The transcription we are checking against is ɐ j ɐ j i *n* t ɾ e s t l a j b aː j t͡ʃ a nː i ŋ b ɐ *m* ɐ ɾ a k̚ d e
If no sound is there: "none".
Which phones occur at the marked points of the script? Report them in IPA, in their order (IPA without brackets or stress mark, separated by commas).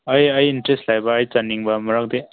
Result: n, m